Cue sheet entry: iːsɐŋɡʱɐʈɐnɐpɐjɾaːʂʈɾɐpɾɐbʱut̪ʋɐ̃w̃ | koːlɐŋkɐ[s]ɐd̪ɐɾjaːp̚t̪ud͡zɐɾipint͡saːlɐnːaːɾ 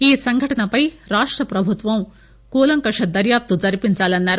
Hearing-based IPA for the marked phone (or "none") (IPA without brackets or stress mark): ʂ